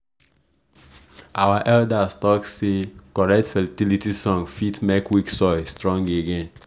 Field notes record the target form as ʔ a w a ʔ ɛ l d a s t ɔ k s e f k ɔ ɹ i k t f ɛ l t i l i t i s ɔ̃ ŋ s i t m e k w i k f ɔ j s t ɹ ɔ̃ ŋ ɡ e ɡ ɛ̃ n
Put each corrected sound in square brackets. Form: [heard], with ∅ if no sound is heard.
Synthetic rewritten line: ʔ a w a ʔ ɛ l d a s t ɔ k s e [∅] k ɔ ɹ [ɛ] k t f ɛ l t i l i t i s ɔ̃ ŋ [f] i t m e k w i k [s] ɔ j s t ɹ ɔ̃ ŋ ɡ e ɡ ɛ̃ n